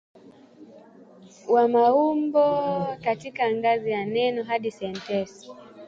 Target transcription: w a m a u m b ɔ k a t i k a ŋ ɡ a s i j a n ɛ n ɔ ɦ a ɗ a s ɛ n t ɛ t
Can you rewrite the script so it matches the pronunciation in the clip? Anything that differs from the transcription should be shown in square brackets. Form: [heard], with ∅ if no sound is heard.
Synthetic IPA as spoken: w a m a u m b ɔ k a t i k a ŋ ɡ a [z] i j a n ɛ n ɔ ɦ a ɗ [i] s ɛ n t ɛ [s]